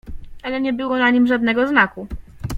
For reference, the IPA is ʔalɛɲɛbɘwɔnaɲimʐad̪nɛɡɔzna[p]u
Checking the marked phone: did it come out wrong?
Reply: yes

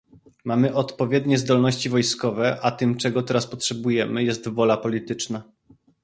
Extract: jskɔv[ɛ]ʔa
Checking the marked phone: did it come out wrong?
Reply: no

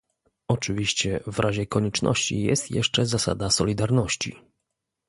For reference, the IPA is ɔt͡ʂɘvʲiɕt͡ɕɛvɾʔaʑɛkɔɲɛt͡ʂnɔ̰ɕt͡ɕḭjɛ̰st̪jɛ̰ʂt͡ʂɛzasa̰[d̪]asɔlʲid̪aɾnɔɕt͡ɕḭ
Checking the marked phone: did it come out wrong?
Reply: no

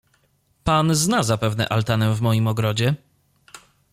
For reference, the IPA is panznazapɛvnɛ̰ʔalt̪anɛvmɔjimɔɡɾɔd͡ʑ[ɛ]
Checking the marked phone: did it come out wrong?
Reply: no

